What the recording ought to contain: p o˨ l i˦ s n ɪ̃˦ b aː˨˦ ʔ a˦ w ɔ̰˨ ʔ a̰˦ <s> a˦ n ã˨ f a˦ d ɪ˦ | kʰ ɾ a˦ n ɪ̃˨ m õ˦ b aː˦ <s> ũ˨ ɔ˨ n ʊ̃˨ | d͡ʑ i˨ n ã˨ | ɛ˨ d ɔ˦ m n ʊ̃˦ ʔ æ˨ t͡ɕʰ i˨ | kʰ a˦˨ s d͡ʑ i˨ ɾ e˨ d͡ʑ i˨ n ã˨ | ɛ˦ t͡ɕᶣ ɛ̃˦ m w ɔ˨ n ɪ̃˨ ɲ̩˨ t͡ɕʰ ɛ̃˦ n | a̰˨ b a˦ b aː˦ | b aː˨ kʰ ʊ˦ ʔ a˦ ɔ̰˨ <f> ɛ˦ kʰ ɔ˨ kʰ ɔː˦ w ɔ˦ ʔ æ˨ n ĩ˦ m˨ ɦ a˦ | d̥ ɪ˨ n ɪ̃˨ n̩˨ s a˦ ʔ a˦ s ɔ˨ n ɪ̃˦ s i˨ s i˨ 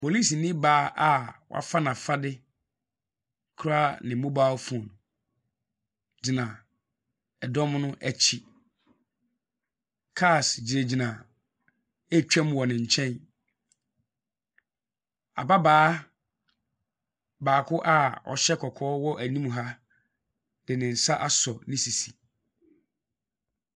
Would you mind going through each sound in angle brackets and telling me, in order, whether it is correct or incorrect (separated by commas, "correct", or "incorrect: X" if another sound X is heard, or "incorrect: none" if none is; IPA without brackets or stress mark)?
incorrect: f, incorrect: f, incorrect: ɕ